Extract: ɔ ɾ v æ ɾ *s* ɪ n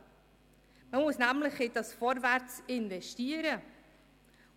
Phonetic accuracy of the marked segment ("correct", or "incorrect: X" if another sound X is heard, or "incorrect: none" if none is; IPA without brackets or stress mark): incorrect: t͡s